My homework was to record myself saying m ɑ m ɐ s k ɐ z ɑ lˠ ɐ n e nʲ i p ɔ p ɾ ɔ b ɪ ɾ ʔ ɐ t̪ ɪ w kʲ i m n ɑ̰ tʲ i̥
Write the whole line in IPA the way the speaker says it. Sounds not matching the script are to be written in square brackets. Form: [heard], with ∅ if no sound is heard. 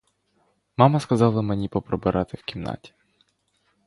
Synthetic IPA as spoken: m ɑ m ɐ s k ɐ z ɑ lˠ ɐ [m] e nʲ i p ɔ p ɾ ɔ b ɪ ɾ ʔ [ɑ] t̪ ɪ w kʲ i m n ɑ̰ tʲ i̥